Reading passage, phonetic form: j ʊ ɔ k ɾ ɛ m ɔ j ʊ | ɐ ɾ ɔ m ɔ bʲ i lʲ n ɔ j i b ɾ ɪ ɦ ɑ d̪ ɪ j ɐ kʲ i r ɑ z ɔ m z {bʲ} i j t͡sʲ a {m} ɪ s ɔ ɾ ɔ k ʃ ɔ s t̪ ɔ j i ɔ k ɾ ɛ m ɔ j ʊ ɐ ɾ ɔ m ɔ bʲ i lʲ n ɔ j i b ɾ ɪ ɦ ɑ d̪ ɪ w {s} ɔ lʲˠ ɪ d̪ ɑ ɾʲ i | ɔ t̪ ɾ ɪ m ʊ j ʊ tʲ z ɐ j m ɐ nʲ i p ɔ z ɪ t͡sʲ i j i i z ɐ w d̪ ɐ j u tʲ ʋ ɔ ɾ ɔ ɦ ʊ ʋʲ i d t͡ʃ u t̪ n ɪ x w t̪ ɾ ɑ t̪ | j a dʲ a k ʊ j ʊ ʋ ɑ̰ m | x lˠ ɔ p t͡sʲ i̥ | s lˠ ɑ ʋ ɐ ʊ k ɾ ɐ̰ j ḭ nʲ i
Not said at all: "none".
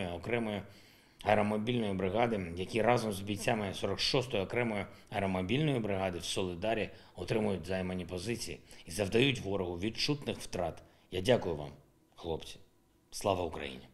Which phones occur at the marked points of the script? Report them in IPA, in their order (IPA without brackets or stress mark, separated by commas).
bʲ, m, s